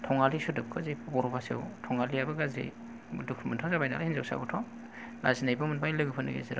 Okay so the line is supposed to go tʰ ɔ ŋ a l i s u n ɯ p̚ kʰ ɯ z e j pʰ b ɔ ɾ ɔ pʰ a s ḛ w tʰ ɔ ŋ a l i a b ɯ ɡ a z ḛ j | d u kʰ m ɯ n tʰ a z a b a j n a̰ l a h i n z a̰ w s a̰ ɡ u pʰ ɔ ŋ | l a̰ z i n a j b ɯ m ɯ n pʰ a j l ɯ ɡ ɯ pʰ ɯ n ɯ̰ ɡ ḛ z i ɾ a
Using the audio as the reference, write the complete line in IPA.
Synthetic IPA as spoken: tʰ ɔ ŋ a l i s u d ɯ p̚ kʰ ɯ z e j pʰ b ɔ ɾ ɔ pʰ a s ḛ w tʰ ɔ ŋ a l i a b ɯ ɡ a z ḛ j | d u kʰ m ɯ n tʰ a z a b a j n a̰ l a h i n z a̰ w s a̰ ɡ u tʰ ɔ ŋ | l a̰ z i n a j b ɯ m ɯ n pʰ a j l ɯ ɡ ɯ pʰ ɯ n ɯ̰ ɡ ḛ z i ɾ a